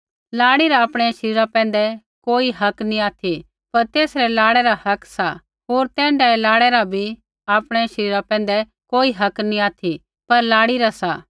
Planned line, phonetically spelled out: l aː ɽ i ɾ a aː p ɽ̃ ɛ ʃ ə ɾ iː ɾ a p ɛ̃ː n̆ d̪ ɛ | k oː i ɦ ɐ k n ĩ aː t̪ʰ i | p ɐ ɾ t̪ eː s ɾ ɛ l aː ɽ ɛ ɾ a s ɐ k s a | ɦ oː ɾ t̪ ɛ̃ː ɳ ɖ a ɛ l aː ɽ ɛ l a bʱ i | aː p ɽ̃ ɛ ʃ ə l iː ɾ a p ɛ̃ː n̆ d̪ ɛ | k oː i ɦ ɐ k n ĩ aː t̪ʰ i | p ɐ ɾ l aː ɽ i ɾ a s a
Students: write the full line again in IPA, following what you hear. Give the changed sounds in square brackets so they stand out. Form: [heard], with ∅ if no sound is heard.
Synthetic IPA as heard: l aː ɽ i ɾ a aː p ɽ̃ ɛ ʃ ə ɾ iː ɾ a p ɛ̃ː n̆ d̪ ɛ | k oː i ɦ ɐ k n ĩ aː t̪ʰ i | p ɐ ɾ t̪ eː s ɾ ɛ l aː ɽ ɛ ɾ a [h] ɐ k s a | ɦ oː ɾ t̪ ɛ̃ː ɳ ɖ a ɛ l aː ɽ ɛ [ɾ] a bʱ i | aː p ɽ̃ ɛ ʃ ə [ɾ] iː ɾ a p ɛ̃ː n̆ d̪ ɛ | k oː i ɦ ɐ k n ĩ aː t̪ʰ i | p ɐ ɾ l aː ɽ i ɾ a s a